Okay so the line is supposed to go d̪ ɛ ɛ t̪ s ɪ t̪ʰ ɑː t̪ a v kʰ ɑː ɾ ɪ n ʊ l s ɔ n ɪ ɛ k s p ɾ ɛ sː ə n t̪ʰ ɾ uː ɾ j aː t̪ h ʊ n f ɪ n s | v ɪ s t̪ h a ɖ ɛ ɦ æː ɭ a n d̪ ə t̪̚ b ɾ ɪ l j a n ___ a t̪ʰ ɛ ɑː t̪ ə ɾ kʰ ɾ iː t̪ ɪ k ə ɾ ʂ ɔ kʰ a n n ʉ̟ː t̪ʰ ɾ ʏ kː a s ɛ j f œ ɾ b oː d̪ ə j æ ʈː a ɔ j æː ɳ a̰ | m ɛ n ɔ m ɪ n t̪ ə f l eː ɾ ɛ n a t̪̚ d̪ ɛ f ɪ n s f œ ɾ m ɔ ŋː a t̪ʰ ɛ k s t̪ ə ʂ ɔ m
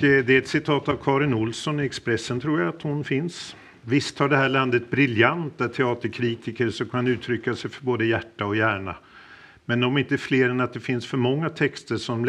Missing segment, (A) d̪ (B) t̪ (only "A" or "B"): B